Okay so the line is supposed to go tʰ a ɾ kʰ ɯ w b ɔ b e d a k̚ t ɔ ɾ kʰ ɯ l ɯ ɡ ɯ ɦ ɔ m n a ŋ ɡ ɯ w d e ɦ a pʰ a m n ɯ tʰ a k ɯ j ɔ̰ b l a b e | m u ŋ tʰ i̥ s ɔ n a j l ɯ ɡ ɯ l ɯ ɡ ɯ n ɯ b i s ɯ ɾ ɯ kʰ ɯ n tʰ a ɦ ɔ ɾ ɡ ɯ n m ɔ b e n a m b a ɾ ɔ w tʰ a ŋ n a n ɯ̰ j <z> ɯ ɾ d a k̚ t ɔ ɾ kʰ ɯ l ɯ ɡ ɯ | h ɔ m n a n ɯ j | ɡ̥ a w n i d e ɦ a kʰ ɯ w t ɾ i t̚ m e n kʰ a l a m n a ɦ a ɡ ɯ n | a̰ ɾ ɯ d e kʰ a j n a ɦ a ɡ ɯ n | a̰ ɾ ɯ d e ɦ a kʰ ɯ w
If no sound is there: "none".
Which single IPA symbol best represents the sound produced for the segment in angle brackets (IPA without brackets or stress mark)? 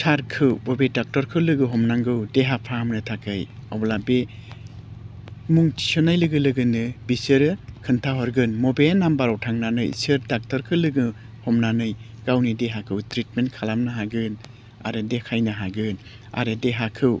s